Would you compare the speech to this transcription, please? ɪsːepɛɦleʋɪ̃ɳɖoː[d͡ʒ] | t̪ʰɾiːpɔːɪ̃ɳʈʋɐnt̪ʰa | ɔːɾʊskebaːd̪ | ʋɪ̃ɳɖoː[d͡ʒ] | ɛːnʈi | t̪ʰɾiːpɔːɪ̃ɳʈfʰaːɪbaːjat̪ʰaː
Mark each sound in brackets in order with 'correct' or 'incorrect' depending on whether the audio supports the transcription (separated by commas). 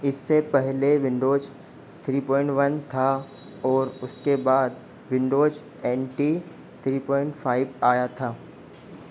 correct, correct